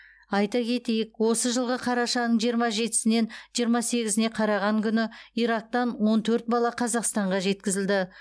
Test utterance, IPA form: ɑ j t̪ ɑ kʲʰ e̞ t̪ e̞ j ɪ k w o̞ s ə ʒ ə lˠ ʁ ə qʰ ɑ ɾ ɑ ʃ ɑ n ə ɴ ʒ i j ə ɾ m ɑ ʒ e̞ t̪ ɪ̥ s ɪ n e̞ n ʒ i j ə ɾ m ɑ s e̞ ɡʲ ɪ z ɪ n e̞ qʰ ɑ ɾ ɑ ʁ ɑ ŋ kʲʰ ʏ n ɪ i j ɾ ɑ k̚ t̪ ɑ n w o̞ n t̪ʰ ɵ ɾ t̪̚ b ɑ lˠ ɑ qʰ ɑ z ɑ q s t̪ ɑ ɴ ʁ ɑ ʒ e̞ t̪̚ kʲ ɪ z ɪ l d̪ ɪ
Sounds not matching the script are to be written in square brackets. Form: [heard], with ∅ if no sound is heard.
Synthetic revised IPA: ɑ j t̪ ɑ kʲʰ e̞ t̪ e̞ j ɪ k w o̞ s ə ʒ ə lˠ ʁ ə qʰ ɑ ɾ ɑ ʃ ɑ n ə ɴ ʒ i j ə ɾ m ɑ ʒ e̞ t̪ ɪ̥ s ɪ n e̞ n ʒ i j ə ɾ m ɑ s e̞ ɡʲ ɪ z ɪ n e̞ qʰ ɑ ɾ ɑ ʁ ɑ ŋ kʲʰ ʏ n ɪ i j ɾ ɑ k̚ t̪ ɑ n w o̞ n t̪ʰ ɵ ɾ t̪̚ b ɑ lˠ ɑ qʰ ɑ z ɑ q s t̪ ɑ ɴ ʁ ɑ ʒ e̞ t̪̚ kʲ ɪ z ɪ l d̪ ɪ

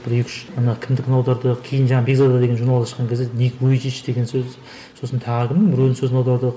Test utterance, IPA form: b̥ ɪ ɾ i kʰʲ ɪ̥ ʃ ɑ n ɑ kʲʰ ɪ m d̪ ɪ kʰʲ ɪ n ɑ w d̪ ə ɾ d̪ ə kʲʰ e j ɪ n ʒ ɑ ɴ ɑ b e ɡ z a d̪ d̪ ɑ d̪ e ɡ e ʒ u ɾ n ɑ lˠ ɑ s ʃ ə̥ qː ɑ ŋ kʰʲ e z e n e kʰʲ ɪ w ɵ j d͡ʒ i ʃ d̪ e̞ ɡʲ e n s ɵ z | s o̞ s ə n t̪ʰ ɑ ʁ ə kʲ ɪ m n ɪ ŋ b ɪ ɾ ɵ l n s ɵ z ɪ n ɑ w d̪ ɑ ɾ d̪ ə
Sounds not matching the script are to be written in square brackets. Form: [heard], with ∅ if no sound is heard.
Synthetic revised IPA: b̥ ɪ ɾ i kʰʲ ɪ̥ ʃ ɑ n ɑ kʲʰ ɪ m d̪ ɪ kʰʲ ɪ n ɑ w d̪ [ɑ] ɾ d̪ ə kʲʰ e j ɪ n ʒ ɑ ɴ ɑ b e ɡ z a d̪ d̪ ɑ d̪ e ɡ e ʒ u ɾ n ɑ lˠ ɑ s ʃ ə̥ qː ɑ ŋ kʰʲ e z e n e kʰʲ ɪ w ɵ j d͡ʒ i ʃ d̪ e̞ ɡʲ e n s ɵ z | s o̞ s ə n t̪ʰ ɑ ʁ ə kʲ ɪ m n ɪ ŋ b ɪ ɾ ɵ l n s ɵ z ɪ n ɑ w d̪ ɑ ɾ d̪ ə

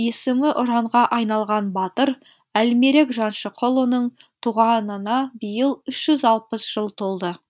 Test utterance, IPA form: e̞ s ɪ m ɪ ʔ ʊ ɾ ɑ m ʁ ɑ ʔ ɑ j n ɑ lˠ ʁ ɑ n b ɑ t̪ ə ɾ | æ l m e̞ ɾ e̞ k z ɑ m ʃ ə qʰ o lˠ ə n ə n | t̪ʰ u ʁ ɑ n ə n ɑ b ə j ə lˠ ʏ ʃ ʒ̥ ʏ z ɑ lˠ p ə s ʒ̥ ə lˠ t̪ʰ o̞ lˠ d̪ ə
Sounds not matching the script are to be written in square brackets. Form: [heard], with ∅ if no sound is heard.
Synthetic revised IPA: e̞ s ɪ m ɪ ʔ ʊ ɾ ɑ [ɴ] ʁ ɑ ʔ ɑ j n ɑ lˠ ʁ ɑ n b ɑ t̪ ə ɾ | æ l m e̞ ɾ e̞ k [ʒ] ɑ [n] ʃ ə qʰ o lˠ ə n ə [ɴ] | t̪ʰ u ʁ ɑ n ə n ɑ b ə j ə lˠ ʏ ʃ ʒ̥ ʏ z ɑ lˠ p ə s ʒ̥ ə lˠ t̪ʰ o̞ lˠ d̪ ə

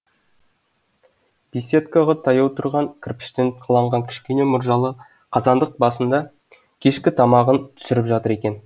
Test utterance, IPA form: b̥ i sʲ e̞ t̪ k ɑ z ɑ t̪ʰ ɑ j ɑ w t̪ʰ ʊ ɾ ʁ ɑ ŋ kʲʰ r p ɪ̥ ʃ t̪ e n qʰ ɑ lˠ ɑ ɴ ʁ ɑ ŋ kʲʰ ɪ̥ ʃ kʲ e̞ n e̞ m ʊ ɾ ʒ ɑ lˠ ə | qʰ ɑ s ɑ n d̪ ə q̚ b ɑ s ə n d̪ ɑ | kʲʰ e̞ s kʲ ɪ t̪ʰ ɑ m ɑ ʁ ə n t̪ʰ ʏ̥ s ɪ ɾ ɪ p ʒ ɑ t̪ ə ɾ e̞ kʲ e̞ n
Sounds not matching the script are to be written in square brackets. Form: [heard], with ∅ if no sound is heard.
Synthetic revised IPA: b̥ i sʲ e̞ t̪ k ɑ [ʁ] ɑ t̪ʰ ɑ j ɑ w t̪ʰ ʊ ɾ ʁ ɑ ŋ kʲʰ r p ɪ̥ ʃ t̪ e n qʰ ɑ lˠ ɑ ɴ ʁ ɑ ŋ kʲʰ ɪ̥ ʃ kʲ e̞ n e̞ m ʊ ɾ ʒ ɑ lˠ ə | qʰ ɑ [z] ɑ n d̪ ə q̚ b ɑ s ə n d̪ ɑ | kʲʰ e̞ [ʃ] kʲ ɪ t̪ʰ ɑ m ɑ ʁ ə n t̪ʰ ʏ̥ s ɪ ɾ ɪ p ʒ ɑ t̪ ə ɾ e̞ kʲ e̞ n

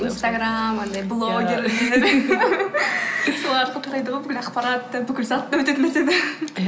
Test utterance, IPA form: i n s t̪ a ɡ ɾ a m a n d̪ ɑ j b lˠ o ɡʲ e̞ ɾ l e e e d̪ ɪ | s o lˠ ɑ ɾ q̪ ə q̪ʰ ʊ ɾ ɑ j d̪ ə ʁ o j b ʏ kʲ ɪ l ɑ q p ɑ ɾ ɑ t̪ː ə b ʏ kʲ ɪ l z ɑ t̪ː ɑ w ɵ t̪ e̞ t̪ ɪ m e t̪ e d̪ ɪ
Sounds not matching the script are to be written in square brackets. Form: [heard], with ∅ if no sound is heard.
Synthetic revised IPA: i n s t̪ a ɡ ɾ a m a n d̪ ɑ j b lˠ o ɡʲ e̞ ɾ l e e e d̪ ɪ | s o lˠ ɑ ɾ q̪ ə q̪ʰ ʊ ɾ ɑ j d̪ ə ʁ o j b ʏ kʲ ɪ l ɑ q p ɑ ɾ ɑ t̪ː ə b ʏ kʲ ɪ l z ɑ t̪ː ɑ w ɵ t̪ e̞ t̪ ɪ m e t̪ e d̪ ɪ

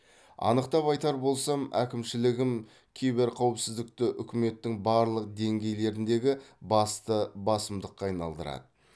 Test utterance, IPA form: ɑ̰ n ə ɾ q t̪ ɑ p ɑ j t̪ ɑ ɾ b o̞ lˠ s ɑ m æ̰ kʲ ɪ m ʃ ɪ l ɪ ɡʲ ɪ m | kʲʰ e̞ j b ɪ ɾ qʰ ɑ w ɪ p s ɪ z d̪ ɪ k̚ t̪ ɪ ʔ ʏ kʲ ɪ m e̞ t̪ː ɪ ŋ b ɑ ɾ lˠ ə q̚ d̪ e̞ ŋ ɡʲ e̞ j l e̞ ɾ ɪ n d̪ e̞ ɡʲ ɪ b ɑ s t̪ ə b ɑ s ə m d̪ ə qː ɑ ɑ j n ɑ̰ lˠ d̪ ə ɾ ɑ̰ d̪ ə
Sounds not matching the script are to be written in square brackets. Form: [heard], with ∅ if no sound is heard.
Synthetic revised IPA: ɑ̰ n ə [∅] q t̪ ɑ p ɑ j t̪ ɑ ɾ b o̞ lˠ s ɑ m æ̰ kʲ ɪ m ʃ ɪ l ɪ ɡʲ ɪ m | kʲʰ e̞ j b ɪ ɾ qʰ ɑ w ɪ p s ɪ z d̪ ɪ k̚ t̪ ɪ ʔ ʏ kʲ ɪ m e̞ t̪ː ɪ ŋ b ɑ ɾ lˠ ə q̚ d̪ e̞ ŋ ɡʲ e̞ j l e̞ ɾ ɪ n d̪ e̞ ɡʲ ɪ b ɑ s t̪ ə b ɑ s ə m d̪ ə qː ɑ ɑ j n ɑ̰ lˠ d̪ ə ɾ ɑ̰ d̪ ə

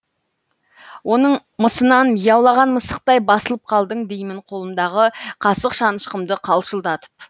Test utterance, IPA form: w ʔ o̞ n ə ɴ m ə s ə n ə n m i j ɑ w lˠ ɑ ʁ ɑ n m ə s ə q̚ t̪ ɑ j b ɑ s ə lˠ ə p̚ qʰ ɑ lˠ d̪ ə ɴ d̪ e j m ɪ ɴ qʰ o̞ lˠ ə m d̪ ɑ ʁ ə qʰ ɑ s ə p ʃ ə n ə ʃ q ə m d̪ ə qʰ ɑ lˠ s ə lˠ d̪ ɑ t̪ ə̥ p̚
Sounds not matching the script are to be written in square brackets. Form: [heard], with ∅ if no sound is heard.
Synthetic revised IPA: w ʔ o̞ n ə ɴ m ə s ə n [ɑ] n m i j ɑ w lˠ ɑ ʁ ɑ n m ə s ə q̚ t̪ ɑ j b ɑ s ə lˠ ə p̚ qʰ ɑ lˠ d̪ ə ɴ d̪ e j m ɪ ɴ qʰ o̞ lˠ ə m d̪ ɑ ʁ ə qʰ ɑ s ə [q] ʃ [ɑ] n ə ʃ q ə m d̪ ə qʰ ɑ lˠ [ʃ] ə lˠ d̪ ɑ t̪ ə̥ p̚

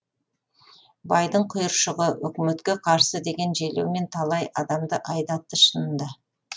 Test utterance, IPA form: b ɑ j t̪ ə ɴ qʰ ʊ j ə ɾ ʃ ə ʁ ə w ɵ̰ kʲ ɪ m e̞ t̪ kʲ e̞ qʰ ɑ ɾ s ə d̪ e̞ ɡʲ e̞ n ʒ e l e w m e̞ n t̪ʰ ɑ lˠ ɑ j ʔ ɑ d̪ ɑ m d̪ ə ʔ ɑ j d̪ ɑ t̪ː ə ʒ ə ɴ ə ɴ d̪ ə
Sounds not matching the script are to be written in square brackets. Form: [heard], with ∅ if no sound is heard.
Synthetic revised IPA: b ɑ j [d̪] ə ɴ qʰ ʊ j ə ɾ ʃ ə ʁ ə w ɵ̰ kʲ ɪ m e̞ t̪ kʲ e̞ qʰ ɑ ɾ s ə d̪ e̞ ɡʲ e̞ n ʒ e l e w m e̞ n t̪ʰ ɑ lˠ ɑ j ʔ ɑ d̪ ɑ m d̪ ə ʔ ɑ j d̪ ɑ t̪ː ə [ʃ] ə [n] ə [n] d̪ ə

